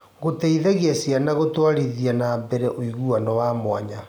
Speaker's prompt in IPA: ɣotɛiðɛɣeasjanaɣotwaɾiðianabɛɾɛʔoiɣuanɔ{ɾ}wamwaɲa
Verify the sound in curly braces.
incorrect: none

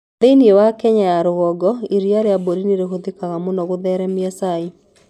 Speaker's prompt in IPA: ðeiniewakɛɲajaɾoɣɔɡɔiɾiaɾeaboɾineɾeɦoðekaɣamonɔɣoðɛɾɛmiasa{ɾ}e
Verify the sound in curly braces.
incorrect: none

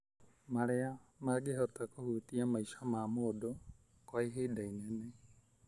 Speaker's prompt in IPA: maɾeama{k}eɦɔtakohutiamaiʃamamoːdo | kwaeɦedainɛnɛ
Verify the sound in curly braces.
incorrect: ɡ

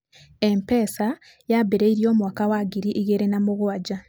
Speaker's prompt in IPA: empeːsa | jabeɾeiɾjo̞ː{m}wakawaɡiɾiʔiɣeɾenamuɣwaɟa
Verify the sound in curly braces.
correct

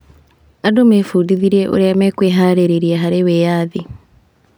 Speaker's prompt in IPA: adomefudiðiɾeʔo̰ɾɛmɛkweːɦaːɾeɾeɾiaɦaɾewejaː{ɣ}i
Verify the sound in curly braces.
incorrect: ð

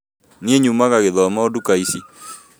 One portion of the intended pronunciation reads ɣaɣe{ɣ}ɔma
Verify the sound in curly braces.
incorrect: ð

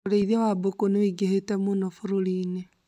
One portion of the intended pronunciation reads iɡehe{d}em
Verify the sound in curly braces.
incorrect: t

